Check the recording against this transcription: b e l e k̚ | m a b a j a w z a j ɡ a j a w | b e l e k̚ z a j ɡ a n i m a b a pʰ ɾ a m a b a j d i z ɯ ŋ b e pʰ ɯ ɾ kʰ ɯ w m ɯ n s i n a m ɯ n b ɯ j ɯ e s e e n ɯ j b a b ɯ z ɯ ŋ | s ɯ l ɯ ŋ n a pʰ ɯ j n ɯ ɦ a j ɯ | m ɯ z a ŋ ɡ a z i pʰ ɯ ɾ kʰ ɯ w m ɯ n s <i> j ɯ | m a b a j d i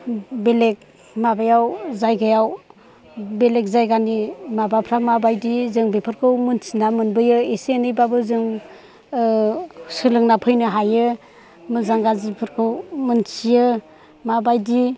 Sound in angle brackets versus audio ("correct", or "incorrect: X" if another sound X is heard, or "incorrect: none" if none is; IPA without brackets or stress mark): correct